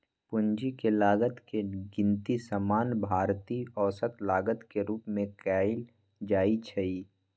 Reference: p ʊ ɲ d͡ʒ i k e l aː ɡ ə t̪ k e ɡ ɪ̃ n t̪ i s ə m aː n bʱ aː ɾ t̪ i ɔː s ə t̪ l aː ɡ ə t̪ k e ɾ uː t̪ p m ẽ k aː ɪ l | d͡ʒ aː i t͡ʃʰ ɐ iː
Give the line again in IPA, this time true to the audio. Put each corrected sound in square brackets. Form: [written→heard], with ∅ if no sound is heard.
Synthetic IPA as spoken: p ʊ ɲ d͡ʒ i k e l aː ɡ ə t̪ k e ɡ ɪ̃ n t̪ i s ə m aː n bʱ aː ɾ t̪ i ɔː s ə t̪ l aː ɡ ə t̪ k e ɾ uː [t̪→∅] p m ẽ k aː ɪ l | d͡ʒ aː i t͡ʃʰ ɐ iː